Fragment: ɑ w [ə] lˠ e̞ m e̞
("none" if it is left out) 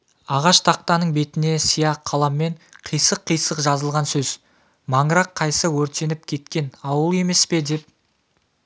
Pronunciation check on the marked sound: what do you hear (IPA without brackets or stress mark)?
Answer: ə